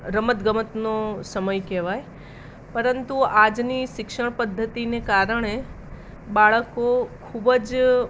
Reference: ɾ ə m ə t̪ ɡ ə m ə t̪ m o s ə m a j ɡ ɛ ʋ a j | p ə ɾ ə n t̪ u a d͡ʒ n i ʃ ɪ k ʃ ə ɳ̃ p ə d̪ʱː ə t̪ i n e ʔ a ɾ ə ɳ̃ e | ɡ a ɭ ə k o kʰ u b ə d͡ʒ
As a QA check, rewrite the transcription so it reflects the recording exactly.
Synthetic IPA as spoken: ɾ ə m ə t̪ ɡ ə m ə t̪ n o s ə m ə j k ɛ ʋ a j | p ə ɾ ə n t̪ u a d͡ʒ n i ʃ ɪ k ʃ ə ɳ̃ p ə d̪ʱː ə t̪ i n e k a ɾ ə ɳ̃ e | b a ɭ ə k o kʰ u b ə d͡ʒ